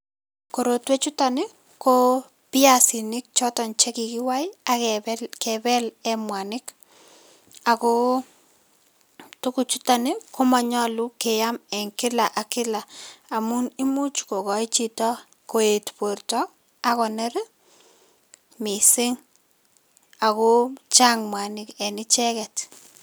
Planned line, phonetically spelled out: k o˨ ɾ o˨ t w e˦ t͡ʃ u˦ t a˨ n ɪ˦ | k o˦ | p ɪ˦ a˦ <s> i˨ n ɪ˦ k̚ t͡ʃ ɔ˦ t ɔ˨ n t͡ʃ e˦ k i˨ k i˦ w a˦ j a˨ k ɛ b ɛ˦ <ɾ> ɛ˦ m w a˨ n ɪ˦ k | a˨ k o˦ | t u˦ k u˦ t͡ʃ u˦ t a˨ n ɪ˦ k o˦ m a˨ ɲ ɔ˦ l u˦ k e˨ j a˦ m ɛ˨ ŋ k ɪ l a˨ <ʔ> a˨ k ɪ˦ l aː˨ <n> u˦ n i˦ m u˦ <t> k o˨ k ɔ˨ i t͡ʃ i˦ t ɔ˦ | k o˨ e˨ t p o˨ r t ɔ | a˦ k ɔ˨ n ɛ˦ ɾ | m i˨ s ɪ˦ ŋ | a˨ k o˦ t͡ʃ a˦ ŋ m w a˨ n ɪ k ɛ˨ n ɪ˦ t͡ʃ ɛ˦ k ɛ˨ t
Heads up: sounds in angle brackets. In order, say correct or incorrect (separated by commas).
correct, incorrect, correct, incorrect, incorrect